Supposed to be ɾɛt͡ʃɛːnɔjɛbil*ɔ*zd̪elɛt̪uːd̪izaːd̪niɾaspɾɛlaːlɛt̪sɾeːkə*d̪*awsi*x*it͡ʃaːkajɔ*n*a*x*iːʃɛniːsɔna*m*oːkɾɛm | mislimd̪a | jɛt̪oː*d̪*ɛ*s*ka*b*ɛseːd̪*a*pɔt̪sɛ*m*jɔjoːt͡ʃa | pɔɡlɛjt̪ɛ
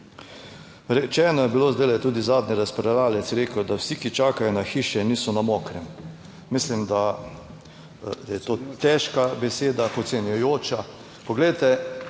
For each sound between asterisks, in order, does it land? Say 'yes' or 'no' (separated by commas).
no, yes, no, yes, yes, yes, no, no, yes, yes, no